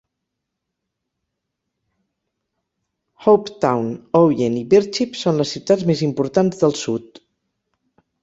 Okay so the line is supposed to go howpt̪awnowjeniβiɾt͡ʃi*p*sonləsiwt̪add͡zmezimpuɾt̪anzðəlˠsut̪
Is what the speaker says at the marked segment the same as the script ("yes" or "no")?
yes